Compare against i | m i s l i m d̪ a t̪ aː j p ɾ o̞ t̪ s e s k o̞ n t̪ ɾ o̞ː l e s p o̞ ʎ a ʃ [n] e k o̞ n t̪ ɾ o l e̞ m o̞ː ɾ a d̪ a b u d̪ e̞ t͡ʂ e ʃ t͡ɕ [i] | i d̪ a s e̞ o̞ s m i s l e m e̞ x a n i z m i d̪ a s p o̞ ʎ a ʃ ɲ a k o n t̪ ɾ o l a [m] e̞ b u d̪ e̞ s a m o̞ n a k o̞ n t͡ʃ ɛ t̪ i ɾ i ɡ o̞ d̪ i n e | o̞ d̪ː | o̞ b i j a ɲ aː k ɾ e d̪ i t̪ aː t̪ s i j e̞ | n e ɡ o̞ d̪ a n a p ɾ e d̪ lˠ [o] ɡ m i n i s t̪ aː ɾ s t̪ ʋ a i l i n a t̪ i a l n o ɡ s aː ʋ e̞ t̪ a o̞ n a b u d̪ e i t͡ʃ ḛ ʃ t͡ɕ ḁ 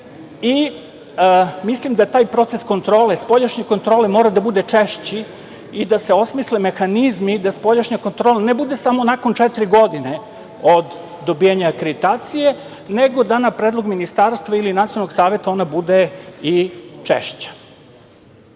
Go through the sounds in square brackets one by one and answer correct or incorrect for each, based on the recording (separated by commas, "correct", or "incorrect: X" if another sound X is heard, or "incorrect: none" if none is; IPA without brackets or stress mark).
incorrect: ɲ, correct, incorrect: n, correct